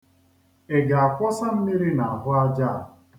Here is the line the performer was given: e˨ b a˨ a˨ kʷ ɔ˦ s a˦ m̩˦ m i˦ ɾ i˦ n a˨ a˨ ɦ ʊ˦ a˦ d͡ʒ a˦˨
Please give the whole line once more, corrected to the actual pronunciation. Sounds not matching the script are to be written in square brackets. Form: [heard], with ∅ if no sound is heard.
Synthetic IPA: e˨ [ɡ] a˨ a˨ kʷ ɔ˦ s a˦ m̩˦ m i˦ ɾ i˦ n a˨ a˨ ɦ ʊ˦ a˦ d͡ʒ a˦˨